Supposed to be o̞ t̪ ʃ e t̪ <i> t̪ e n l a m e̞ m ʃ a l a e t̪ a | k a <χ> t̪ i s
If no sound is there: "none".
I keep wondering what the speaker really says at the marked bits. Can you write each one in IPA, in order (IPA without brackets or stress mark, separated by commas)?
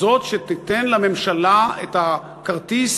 i, ʁ